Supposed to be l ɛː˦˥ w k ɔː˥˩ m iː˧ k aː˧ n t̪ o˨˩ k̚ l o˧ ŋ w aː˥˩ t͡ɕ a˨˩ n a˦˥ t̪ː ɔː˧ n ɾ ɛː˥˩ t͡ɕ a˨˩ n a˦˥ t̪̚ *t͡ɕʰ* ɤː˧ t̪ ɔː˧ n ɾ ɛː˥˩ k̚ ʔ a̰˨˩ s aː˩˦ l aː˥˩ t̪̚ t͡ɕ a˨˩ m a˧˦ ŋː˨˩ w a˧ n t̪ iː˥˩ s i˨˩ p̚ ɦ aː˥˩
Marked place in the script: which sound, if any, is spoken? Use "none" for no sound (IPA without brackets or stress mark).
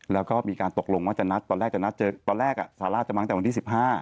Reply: t͡ɕ